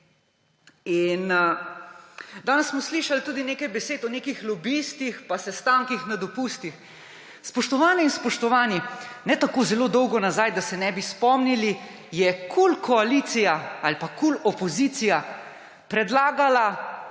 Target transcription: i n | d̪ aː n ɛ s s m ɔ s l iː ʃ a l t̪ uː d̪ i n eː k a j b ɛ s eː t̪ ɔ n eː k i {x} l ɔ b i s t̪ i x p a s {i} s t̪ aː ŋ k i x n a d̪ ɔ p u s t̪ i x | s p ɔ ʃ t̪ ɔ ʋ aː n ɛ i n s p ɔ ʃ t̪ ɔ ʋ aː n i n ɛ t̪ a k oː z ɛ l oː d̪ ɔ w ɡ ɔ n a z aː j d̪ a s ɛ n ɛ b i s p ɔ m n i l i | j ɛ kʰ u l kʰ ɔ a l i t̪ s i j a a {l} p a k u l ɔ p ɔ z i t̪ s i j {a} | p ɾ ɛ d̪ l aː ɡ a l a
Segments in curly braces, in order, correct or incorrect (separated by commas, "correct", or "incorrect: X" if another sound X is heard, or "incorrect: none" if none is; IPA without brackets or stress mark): correct, incorrect: ɛ, correct, correct